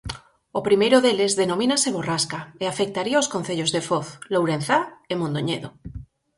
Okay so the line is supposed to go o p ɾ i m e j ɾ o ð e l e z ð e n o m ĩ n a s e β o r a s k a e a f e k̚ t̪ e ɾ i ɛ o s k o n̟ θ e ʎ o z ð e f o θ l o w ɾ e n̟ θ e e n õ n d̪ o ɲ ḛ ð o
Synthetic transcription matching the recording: o p ɾ i m e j ɾ o ð e l e z ð e n o m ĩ n a s e β o r a s k a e a f e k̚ t̪ a ɾ i a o s k o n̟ θ e ʎ o z ð e f o θ l o w ɾ e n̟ θ a e m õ n d̪ o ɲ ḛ ð o